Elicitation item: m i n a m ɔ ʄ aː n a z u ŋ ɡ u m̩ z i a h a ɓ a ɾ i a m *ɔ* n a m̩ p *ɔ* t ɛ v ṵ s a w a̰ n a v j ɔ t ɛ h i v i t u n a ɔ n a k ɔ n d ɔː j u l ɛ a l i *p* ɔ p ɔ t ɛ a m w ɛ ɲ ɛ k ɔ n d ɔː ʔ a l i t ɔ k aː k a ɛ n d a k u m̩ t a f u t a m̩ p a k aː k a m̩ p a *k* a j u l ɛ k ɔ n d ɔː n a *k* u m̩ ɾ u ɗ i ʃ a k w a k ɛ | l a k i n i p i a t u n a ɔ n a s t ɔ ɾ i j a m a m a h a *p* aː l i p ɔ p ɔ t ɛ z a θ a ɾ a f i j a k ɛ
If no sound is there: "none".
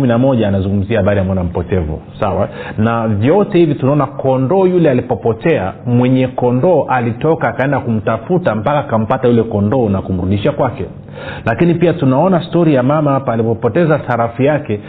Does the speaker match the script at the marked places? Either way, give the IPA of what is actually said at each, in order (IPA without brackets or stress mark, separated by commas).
ɔ, ɔ, p, t, k, p